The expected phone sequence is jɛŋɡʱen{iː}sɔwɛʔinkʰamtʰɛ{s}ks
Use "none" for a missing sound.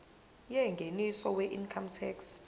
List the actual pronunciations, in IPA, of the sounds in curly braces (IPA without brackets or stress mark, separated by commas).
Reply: i, none